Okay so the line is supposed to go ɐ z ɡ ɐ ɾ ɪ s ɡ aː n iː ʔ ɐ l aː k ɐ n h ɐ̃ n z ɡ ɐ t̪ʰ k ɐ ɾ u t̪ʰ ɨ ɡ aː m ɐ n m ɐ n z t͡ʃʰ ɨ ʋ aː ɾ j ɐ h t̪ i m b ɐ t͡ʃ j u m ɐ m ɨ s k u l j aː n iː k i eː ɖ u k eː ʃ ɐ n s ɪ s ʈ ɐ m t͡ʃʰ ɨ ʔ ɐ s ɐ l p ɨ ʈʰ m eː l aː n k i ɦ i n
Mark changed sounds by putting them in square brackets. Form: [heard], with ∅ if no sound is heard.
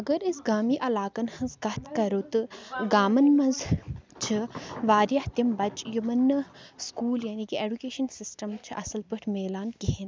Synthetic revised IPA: ɐ [∅] ɡ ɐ ɾ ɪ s ɡ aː [m] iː ʔ ɐ l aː k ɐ n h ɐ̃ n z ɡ ɐ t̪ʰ k ɐ ɾ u [t̪] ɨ ɡ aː m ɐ n m ɐ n z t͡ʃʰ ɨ ʋ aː ɾ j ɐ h t̪ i m b ɐ t͡ʃ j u m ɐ [n] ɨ s k [uː] l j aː n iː k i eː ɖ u k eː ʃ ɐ n s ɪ s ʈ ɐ m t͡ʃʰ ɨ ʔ ɐ s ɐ l p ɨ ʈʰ m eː l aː n k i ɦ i n